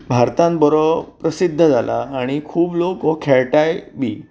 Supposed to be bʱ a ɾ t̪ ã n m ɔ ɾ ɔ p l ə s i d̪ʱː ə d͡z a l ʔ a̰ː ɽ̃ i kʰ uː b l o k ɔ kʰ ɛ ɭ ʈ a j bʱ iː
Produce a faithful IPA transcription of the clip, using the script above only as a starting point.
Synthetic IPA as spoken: bʱ a ɾ t̪ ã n b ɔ ɾ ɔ p ɾ ə s i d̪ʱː ə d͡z a l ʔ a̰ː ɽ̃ i kʰ uː b l o k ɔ kʰ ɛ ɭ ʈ a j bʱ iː